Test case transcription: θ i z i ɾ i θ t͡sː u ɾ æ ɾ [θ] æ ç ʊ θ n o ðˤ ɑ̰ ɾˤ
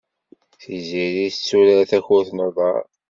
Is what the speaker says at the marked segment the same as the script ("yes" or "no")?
yes